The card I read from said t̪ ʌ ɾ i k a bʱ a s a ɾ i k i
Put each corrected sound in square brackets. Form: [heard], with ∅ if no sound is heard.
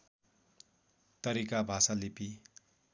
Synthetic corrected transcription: t̪ ʌ ɾ i k a bʱ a s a [l] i [p] i